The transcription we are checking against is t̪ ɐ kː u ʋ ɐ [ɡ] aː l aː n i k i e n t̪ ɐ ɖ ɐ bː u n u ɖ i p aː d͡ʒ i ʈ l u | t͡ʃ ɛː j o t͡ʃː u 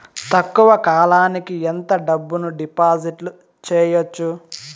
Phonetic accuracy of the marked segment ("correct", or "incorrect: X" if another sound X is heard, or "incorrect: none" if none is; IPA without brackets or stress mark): incorrect: k